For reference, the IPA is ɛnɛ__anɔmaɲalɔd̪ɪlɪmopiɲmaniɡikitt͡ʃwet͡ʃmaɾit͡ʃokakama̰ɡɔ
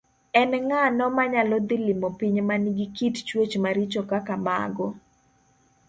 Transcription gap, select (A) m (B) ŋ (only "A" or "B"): B